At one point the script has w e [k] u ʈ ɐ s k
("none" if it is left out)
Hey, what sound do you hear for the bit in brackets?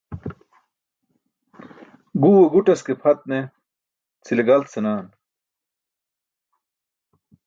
ɡ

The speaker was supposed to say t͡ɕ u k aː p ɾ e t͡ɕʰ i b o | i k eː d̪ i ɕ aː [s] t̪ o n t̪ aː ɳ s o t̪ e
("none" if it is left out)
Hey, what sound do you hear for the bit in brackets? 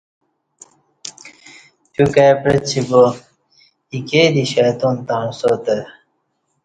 none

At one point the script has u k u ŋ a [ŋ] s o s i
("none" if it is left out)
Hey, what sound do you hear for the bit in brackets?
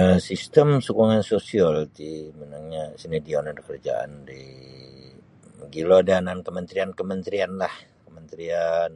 n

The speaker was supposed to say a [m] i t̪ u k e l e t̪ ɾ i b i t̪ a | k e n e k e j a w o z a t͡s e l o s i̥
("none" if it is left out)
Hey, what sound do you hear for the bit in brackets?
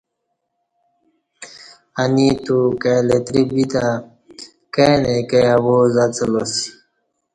n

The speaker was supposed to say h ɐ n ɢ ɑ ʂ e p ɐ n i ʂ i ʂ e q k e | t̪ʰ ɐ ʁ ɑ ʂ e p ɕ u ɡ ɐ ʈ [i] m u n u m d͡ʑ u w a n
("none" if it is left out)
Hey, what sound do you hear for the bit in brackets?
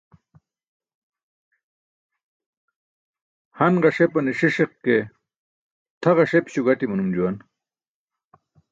i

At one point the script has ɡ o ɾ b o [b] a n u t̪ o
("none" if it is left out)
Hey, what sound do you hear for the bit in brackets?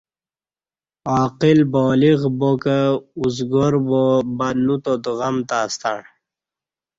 b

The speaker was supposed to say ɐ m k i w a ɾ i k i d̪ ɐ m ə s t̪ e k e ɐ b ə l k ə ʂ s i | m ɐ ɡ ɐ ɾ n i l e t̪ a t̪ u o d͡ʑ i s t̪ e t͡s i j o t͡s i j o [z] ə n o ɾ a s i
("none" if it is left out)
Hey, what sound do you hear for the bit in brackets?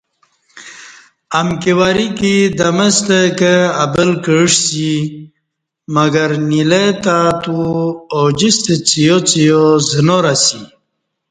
z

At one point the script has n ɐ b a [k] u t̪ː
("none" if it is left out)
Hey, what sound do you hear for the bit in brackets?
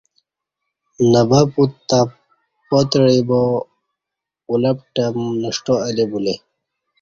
p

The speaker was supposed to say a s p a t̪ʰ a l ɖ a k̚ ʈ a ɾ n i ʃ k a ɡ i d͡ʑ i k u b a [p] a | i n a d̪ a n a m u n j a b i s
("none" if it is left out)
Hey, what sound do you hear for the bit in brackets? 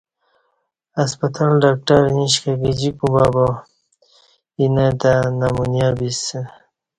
b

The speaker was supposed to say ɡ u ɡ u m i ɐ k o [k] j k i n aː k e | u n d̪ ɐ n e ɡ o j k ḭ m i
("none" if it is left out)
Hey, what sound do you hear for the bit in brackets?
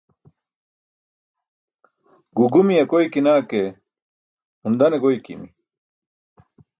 none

